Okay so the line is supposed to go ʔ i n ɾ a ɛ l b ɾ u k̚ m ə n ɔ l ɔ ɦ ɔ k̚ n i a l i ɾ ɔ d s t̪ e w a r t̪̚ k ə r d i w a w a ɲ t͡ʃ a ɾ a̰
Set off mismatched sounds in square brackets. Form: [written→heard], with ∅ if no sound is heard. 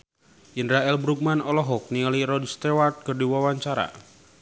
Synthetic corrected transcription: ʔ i n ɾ a ɛ l b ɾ u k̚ m [ə→a] n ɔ l ɔ ɦ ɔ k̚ n i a l i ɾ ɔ d s t̪ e w a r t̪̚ k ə r d i w a w a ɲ t͡ʃ a ɾ a̰